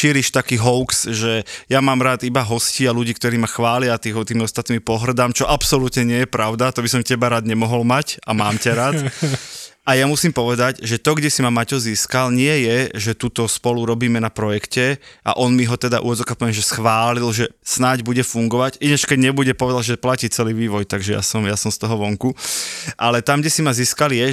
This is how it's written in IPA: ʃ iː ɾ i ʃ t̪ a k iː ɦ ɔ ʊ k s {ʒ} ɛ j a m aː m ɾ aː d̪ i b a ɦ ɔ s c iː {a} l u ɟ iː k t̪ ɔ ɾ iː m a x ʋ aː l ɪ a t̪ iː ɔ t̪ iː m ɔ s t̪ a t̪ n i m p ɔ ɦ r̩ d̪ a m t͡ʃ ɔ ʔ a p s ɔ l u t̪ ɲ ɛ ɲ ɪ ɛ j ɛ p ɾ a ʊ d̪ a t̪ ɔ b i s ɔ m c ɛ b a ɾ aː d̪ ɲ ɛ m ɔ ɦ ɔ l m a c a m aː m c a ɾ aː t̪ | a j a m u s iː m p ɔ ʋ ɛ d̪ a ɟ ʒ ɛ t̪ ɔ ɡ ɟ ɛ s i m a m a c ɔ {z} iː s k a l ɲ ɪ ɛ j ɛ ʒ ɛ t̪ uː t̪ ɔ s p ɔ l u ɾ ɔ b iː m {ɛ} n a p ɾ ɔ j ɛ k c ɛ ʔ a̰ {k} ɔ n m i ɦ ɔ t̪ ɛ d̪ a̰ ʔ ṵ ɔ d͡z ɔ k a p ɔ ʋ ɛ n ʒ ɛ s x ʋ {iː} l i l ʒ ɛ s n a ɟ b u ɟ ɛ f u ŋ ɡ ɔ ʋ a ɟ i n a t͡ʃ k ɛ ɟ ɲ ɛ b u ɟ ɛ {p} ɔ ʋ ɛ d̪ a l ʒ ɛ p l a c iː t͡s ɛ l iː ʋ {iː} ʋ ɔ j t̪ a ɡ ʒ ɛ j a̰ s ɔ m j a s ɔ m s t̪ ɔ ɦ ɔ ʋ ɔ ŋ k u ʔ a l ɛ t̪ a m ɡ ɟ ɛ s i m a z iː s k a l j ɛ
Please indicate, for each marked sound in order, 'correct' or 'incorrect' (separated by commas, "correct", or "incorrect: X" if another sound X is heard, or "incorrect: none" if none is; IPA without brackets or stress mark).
correct, correct, correct, correct, incorrect: ʔ, incorrect: aː, correct, correct